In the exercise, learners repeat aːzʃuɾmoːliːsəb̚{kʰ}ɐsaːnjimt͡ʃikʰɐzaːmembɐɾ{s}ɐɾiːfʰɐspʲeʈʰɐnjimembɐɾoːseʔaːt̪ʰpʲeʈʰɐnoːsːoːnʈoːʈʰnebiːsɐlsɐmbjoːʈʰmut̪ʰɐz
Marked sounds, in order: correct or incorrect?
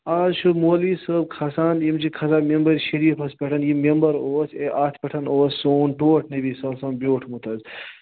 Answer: correct, incorrect: ʃ

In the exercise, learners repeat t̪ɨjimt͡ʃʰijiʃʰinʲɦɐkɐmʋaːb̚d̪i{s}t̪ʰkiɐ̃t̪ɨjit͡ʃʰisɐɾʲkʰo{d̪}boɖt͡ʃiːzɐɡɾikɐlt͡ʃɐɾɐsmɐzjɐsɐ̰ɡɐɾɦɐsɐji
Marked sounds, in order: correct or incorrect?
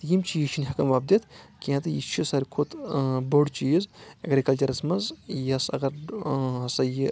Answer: incorrect: none, incorrect: t̪

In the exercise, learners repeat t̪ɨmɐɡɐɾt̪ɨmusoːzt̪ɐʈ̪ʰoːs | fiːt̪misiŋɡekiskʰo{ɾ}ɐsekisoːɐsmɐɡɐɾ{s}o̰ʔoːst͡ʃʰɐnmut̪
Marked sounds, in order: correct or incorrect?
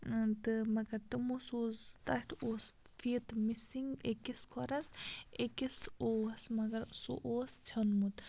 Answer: correct, correct

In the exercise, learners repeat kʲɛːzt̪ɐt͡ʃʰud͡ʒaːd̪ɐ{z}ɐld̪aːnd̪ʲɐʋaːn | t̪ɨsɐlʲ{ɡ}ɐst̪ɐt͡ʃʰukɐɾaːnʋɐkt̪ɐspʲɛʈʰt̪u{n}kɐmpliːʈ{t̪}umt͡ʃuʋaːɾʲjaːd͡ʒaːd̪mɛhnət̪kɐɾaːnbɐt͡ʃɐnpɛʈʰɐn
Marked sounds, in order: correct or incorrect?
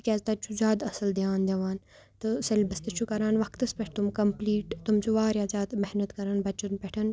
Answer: incorrect: s, incorrect: b, incorrect: m, correct

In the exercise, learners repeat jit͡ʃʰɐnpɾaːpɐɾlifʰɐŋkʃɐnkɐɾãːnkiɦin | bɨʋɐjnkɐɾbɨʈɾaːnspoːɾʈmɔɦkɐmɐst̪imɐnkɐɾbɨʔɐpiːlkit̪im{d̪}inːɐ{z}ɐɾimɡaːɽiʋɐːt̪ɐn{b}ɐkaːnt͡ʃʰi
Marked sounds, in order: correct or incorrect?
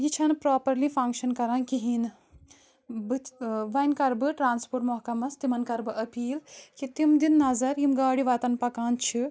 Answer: correct, correct, incorrect: p

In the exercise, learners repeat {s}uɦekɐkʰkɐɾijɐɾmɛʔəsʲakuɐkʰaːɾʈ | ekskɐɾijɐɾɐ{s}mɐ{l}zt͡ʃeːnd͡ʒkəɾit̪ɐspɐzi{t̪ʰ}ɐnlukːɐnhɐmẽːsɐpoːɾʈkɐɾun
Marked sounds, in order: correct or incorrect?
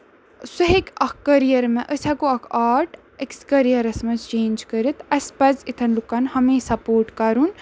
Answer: correct, correct, incorrect: none, correct

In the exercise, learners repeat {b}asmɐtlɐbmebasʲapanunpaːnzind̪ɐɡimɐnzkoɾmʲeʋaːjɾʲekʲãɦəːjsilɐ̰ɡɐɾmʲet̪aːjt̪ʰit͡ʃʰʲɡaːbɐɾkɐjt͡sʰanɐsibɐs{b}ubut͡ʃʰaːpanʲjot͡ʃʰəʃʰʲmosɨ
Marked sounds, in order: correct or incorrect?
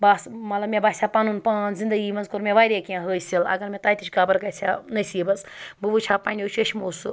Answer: correct, correct

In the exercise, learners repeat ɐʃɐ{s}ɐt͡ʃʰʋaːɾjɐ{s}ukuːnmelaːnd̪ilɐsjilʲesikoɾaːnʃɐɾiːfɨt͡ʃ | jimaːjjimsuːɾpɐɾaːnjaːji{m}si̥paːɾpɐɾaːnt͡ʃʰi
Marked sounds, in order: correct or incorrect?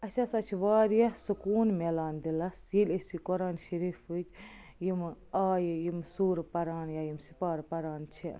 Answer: correct, correct, correct

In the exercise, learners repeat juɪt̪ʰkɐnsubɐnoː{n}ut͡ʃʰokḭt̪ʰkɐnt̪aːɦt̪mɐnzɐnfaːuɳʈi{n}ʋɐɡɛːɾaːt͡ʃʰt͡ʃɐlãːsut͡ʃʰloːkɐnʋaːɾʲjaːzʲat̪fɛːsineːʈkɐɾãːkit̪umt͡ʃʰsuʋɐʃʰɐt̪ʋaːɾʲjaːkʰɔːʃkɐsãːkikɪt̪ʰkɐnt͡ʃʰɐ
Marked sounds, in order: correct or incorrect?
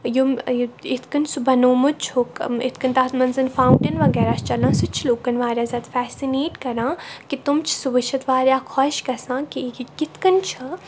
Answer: incorrect: m, correct

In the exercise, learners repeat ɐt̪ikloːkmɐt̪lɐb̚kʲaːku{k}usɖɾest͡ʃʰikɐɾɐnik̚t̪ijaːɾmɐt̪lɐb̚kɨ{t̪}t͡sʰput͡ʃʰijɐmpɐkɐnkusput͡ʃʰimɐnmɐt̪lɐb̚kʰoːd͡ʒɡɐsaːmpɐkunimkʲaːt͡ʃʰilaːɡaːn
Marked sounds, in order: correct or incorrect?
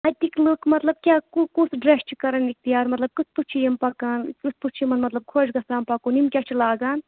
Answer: correct, incorrect: none

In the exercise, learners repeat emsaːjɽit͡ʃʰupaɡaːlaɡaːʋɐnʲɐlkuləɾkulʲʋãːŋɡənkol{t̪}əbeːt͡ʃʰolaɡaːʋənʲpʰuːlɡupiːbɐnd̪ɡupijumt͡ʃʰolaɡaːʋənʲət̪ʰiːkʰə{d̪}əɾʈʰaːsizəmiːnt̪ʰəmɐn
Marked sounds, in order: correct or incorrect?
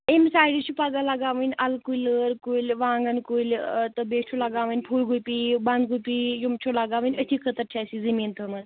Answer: correct, incorrect: t̪

